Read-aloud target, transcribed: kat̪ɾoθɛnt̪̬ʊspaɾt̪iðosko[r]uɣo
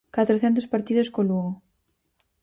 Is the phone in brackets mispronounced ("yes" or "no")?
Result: yes